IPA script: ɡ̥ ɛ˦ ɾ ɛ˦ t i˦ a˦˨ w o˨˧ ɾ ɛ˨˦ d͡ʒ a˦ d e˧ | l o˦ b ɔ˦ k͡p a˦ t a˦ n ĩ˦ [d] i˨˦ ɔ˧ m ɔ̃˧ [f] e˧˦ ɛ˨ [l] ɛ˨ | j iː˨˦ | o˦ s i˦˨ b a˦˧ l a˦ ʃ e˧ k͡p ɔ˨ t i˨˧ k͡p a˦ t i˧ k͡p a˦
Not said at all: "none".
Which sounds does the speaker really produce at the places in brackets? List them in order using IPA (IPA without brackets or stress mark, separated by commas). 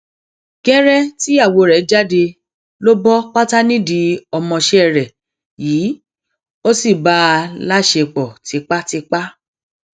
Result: d, ʃ, ɾ